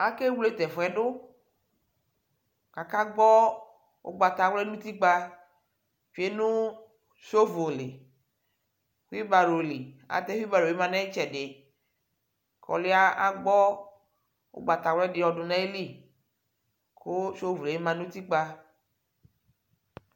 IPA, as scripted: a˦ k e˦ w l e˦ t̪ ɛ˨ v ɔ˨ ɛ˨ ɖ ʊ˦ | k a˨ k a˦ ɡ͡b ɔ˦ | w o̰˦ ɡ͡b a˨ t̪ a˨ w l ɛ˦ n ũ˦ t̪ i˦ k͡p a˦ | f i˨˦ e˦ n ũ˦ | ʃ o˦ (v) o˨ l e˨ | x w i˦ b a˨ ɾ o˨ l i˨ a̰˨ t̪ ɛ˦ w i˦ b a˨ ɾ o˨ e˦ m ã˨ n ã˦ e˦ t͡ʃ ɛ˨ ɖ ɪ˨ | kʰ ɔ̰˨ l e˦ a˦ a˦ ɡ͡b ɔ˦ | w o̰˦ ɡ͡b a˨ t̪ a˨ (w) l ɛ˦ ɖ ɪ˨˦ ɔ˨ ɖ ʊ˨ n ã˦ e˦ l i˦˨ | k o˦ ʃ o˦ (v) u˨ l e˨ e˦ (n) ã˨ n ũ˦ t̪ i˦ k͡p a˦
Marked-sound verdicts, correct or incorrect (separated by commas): correct, correct, correct, incorrect